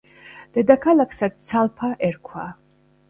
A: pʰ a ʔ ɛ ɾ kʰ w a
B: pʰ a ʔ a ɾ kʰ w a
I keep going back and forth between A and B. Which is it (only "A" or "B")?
A